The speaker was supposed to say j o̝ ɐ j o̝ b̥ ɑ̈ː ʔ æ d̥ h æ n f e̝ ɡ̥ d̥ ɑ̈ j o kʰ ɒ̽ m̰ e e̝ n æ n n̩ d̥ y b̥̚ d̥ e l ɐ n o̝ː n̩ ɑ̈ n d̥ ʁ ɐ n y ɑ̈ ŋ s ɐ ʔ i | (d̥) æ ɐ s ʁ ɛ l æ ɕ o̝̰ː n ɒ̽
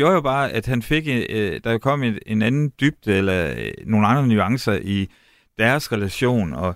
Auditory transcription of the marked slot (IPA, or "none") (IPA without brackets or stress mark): d̥